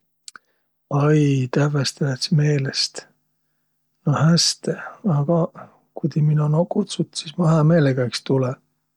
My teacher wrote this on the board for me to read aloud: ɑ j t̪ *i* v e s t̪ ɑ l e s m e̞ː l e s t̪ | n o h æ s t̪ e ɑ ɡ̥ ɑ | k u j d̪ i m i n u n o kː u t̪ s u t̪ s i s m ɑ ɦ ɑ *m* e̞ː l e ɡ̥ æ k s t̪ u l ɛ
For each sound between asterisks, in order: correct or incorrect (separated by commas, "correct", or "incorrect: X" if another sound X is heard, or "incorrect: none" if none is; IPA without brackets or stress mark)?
incorrect: æ, correct